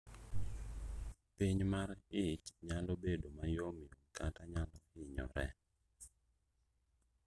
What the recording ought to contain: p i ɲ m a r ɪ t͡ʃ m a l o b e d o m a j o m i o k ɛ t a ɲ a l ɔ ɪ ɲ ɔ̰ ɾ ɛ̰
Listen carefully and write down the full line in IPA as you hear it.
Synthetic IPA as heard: p i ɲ m a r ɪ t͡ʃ ɲ a l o b e d o m a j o m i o k a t a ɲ a l ɔ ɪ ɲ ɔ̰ ɾ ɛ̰